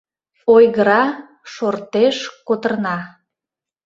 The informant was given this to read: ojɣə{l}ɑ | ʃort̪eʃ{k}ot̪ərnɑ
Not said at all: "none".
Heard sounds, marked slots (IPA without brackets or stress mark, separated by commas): ɾ, k